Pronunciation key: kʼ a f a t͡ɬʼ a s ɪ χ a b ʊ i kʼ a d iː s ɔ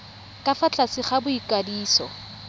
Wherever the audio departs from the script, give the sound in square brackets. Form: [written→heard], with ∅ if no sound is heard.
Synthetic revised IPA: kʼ a f a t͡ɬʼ a s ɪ χ a b ʊ i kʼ a d iː s ɔ